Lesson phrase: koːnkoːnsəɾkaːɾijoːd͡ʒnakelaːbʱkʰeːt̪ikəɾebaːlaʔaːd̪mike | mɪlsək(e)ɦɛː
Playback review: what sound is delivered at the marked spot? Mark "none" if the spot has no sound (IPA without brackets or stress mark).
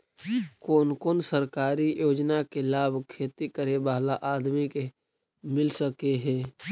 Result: e